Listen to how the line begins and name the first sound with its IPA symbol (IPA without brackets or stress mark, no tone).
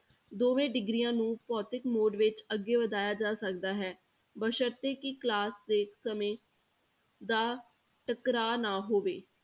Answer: d̪